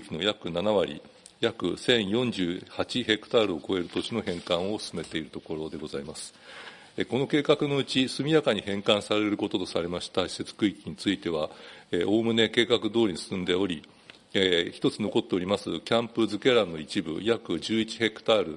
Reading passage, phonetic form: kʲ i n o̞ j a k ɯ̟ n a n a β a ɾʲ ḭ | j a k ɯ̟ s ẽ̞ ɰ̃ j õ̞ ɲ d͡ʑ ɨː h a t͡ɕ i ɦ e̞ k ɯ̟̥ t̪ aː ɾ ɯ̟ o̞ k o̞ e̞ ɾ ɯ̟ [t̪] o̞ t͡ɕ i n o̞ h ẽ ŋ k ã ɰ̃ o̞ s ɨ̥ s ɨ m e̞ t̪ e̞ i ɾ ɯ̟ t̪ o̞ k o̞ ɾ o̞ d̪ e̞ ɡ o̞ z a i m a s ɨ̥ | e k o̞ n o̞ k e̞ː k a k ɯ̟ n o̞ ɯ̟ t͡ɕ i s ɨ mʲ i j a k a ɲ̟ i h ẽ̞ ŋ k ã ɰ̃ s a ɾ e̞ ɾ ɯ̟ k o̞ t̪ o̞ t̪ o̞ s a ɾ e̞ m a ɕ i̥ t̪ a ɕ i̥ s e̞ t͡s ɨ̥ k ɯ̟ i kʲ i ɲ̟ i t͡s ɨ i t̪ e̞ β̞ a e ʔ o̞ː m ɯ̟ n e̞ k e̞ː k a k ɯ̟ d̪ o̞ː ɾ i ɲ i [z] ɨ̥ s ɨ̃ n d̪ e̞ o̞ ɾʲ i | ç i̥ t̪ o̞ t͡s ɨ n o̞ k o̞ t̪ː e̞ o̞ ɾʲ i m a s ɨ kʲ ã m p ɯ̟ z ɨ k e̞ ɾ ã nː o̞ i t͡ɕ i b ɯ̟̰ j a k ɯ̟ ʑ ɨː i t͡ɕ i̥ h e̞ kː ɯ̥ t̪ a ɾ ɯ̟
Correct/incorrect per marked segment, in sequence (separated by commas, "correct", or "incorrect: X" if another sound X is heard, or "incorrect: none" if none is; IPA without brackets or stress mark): correct, incorrect: s